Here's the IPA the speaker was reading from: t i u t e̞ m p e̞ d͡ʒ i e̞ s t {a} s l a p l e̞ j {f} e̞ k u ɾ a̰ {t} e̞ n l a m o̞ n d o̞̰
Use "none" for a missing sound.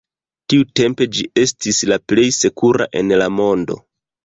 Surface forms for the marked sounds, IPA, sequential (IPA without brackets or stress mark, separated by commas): i, s, ʔ